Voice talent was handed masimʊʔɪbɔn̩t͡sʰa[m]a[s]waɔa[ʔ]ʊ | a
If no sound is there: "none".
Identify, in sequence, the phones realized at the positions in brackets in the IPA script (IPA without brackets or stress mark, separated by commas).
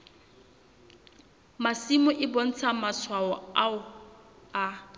m, s, none